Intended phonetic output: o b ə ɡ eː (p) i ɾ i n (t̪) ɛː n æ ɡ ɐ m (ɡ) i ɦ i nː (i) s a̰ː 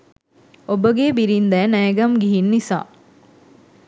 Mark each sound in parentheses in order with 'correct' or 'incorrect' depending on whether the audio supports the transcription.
incorrect: b, incorrect: d̪, correct, correct

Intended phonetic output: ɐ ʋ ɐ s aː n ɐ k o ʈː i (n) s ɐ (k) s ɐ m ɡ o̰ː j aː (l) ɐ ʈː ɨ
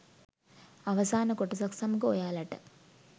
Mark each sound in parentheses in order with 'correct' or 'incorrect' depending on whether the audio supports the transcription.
incorrect: none, correct, correct

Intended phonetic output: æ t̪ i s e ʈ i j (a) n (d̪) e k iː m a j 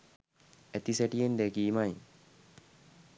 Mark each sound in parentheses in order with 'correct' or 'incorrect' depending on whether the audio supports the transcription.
incorrect: e, correct

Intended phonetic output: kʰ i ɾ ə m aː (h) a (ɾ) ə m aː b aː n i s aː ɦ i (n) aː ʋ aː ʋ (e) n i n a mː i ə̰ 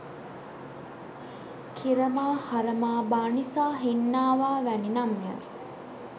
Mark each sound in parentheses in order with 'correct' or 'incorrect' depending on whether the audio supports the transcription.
correct, correct, incorrect: nː, incorrect: æ

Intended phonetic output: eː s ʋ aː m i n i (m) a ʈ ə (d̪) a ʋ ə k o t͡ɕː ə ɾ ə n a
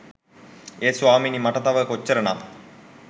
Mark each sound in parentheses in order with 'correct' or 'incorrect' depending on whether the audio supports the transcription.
correct, incorrect: t̪

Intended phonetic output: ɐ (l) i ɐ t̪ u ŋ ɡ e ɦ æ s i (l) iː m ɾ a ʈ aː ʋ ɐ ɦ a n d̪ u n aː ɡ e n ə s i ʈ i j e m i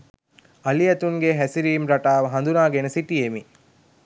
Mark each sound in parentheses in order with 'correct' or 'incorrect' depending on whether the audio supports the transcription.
correct, incorrect: ɾ

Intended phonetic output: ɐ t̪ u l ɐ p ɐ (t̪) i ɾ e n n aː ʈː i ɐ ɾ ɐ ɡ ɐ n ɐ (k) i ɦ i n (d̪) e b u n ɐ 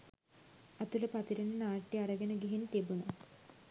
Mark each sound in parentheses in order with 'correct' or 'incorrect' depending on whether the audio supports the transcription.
correct, incorrect: ɡ, incorrect: t̪

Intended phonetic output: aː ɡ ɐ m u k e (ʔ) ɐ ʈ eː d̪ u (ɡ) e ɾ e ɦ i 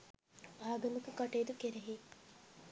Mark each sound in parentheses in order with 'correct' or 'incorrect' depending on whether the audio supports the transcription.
incorrect: k, incorrect: k

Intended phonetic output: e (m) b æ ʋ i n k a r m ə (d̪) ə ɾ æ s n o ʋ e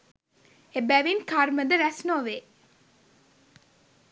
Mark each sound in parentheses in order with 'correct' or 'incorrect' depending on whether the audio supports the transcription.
incorrect: none, correct

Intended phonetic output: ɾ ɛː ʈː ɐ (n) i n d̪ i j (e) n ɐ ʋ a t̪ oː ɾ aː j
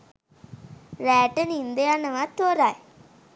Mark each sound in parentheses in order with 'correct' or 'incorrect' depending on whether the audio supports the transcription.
correct, incorrect: a

